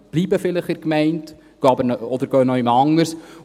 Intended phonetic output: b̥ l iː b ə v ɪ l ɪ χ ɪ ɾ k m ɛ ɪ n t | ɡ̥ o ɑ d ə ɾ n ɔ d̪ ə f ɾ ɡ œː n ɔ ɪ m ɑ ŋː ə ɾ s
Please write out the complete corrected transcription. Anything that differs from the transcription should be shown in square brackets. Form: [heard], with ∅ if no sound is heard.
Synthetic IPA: b̥ l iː b ə [f] ɪ l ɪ χ ɪ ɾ k m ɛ ɪ n t | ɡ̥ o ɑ [b] ə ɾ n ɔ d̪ ə [∅] ɾ ɡ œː n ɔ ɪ m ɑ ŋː ə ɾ s

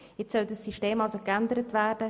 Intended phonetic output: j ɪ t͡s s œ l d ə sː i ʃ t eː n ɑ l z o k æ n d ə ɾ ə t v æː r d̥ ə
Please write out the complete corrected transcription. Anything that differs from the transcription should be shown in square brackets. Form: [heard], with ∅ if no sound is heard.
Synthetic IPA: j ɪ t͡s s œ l d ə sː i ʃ t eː [m] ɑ l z o k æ n d ə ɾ ə t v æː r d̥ ə

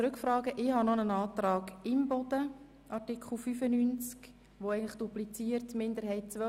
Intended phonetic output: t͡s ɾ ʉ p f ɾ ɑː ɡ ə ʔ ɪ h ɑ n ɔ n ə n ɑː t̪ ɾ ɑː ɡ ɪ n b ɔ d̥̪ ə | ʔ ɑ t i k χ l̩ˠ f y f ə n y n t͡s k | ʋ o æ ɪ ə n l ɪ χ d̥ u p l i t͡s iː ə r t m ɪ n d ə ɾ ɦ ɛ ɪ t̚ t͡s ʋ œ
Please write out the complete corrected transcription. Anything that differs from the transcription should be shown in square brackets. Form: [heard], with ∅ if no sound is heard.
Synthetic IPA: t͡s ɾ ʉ [k] f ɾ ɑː ɡ ə ʔ ɪ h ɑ n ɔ n ə n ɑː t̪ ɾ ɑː ɡ ɪ [m] b ɔ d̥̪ ə | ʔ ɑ t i k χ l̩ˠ f y f ə n y n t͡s k | ʋ o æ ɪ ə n l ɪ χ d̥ u p l i t͡s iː ə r t m ɪ n d ə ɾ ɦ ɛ ɪ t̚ t͡s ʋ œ

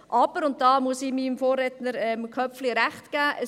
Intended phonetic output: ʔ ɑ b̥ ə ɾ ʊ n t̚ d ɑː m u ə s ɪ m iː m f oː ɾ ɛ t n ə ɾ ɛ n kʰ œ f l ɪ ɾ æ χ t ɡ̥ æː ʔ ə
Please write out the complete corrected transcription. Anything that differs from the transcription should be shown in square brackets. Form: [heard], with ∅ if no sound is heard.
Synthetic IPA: ʔ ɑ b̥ ə ɾ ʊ n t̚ d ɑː m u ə s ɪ m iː m f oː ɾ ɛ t n ə ɾ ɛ [m] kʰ œ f l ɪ ɾ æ χ t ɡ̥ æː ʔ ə

